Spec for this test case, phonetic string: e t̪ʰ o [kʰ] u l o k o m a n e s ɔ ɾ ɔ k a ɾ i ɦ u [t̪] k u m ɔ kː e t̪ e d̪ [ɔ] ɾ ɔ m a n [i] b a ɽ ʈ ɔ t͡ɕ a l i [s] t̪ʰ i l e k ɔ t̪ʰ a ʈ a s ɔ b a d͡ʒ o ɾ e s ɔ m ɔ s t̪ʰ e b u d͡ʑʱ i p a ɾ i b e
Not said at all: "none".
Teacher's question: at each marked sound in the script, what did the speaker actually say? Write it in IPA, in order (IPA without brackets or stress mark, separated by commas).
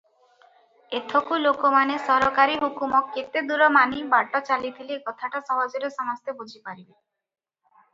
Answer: k, none, u, i, none